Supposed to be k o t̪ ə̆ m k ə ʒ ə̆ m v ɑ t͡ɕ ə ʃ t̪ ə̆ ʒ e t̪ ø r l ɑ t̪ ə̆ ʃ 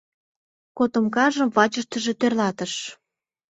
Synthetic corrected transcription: k o t̪ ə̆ m k ɑ ʒ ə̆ m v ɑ t͡ɕ ə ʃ t̪ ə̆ ʒ e t̪ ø r l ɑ t̪ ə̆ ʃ